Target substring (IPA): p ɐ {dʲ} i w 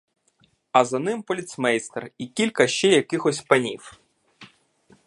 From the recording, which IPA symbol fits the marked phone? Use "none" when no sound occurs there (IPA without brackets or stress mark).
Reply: nʲ